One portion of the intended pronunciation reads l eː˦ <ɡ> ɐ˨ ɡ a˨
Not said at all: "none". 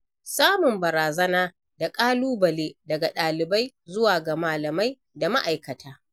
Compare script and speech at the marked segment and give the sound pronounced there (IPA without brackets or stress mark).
d